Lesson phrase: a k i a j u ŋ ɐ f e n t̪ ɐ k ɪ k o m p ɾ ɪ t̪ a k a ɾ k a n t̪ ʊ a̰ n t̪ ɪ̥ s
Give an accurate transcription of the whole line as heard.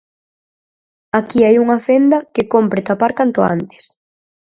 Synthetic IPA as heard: a k i a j u ŋ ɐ f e n d̪ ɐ k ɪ k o m p ɾ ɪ t̪ a p a ɾ k a n t̪ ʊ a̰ n t̪ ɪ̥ s